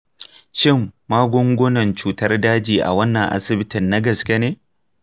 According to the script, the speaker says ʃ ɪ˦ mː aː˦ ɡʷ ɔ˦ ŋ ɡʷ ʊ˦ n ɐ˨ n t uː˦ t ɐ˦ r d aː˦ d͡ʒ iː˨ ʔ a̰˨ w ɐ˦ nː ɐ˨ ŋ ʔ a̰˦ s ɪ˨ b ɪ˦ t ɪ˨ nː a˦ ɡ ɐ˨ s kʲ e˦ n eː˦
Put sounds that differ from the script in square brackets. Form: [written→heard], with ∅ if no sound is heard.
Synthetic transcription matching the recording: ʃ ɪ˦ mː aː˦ ɡʷ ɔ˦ ŋ ɡʷ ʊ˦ n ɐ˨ n [t→t͡ʃ] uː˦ t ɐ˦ r d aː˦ d͡ʒ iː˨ ʔ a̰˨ w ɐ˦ nː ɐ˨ ŋ ʔ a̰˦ s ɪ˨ b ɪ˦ t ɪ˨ nː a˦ ɡ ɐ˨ s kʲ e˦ n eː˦